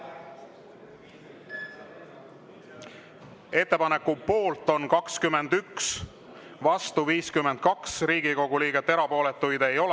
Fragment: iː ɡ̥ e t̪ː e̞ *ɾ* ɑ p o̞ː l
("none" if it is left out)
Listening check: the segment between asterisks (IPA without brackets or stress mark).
ɾ